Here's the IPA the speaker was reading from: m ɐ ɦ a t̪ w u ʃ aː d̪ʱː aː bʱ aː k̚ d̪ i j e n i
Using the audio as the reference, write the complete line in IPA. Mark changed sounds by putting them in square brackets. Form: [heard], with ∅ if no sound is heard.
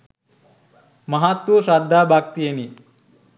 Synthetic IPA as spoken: m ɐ ɦ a t̪ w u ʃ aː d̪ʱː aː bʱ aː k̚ [t̪] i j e n i